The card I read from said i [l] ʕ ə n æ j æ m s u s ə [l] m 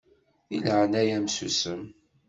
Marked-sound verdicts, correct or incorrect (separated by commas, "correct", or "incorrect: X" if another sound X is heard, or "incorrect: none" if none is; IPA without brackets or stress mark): correct, incorrect: none